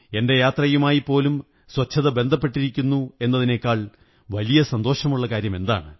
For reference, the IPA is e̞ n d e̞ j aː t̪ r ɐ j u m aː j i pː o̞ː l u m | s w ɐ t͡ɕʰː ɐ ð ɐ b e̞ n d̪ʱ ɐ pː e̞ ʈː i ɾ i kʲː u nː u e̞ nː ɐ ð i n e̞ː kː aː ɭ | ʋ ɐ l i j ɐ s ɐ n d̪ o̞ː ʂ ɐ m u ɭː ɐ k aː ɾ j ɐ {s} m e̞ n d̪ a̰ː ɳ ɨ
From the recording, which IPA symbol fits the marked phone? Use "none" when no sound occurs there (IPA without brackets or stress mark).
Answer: none